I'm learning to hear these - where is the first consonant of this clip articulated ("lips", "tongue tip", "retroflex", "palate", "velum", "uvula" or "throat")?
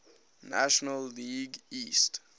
tongue tip